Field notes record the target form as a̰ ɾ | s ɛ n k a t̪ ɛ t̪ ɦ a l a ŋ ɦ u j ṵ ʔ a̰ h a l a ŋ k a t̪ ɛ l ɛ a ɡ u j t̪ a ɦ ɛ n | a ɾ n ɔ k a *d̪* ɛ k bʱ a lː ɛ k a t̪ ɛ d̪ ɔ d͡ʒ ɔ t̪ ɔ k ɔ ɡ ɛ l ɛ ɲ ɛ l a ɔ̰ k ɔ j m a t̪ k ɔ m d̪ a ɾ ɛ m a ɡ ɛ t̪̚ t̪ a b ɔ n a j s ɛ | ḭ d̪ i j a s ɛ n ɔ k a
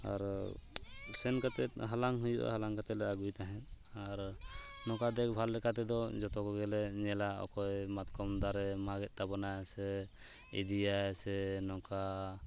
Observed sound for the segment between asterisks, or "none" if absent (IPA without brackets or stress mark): d̪